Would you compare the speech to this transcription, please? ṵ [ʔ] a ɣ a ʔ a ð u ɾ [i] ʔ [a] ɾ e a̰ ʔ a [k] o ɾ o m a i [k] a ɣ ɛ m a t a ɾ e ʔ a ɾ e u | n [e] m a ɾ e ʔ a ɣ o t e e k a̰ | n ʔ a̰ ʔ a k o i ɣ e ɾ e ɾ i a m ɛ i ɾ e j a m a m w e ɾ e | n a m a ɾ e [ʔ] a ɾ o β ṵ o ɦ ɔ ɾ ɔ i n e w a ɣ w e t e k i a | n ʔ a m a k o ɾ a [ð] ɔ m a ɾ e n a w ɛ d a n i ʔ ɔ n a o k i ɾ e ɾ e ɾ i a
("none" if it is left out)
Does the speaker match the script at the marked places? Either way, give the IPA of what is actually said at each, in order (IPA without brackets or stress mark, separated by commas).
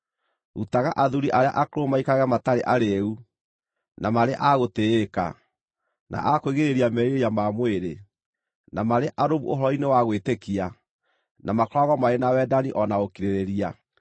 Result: t, i, a, k, k, a, ʔ, ɣ